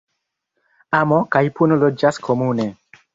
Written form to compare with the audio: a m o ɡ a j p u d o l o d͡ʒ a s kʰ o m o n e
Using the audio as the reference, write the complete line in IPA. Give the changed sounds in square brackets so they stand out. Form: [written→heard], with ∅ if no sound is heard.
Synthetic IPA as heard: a m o [ɡ→k] a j p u [d→n] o l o d͡ʒ a s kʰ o m [o→u] n e